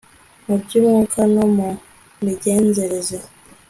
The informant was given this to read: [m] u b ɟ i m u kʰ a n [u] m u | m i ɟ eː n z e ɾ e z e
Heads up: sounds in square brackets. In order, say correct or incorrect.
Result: correct, incorrect: o

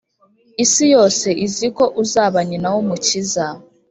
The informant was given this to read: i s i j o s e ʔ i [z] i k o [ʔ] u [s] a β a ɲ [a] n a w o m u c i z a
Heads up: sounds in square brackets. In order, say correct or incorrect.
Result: correct, correct, incorrect: z, incorrect: i

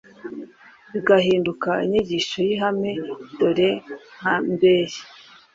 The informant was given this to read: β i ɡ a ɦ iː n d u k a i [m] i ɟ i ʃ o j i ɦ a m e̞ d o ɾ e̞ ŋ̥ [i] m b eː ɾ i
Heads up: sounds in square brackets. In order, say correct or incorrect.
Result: incorrect: ɲ, incorrect: a

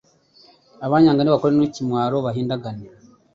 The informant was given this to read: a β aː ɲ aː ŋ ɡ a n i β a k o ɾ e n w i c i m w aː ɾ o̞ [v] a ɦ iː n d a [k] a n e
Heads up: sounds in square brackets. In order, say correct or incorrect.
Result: incorrect: β, incorrect: ɡ

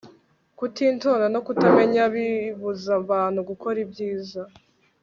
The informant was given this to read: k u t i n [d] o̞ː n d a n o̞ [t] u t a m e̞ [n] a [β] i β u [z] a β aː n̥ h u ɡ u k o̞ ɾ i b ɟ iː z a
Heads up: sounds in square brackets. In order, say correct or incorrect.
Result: incorrect: t, incorrect: k, incorrect: ɲ, correct, correct

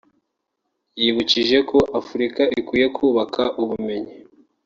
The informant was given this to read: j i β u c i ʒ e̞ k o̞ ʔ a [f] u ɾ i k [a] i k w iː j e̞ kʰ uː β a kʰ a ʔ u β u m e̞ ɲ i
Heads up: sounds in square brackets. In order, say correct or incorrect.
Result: correct, correct

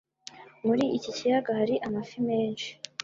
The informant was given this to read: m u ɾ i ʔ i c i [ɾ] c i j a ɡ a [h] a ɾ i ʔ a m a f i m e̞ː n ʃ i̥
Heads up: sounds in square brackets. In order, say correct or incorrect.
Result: incorrect: none, correct

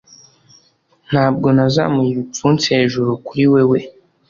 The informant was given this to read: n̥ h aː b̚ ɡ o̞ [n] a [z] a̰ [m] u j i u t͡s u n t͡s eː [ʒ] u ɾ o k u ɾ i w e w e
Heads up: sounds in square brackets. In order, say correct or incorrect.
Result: correct, correct, correct, correct

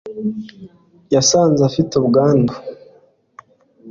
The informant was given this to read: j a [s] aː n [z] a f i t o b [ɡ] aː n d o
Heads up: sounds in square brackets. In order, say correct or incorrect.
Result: correct, correct, correct

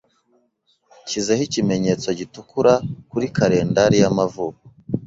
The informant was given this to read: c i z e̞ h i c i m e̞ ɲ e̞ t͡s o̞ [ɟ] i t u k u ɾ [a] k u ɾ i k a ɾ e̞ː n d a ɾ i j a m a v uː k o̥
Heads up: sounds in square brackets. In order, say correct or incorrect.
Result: correct, correct

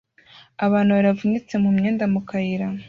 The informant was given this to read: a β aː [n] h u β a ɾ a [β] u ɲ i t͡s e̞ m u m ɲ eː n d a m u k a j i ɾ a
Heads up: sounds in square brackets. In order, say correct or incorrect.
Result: correct, incorrect: v

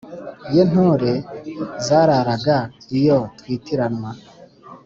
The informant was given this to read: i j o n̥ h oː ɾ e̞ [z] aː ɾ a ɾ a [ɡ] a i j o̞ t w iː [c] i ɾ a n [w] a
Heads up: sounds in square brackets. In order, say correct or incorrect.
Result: correct, correct, incorrect: t, correct

